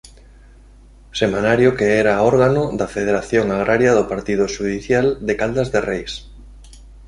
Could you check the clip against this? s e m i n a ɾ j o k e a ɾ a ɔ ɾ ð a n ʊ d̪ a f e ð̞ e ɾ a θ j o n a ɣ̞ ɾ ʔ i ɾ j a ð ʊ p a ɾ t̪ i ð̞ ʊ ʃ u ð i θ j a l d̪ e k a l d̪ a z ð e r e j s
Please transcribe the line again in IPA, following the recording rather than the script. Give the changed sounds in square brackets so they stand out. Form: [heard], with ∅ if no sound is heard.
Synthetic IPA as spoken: s e m [a] n a ɾ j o k e [ɛ] ɾ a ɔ ɾ [ɣ] a n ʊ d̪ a f e ð̞ e ɾ a θ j o [ŋ] a ɣ̞ ɾ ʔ [a] ɾ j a ð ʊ p a ɾ t̪ i ð̞ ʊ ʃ u ð i θ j a l d̪ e k a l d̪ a z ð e r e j s